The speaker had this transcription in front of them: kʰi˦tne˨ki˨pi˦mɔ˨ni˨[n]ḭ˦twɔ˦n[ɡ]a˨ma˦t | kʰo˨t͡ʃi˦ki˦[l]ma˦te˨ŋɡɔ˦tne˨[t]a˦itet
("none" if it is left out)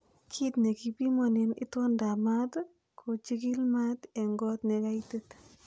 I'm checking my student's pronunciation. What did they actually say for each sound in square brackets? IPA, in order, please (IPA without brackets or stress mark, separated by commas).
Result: n, d, l, k